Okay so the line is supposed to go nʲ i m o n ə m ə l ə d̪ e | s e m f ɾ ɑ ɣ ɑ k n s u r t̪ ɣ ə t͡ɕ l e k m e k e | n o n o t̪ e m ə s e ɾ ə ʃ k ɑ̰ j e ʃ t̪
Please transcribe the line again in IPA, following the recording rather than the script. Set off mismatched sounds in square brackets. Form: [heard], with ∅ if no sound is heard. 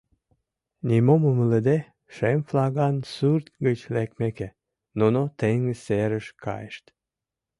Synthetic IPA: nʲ i m o [m] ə m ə l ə d̪ e | [ʃ] e m f [l] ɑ ɣ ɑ [∅] n s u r t̪ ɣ ə t͡ɕ l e k m e k e | n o n o t̪ e [ŋ] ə s e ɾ ə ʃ k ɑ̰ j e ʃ t̪